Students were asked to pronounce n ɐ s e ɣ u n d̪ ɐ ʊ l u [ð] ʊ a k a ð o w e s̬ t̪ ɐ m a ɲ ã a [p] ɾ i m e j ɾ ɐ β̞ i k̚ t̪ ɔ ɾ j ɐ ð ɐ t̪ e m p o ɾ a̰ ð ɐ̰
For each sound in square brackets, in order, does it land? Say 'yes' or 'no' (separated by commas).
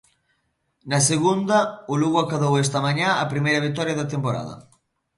no, yes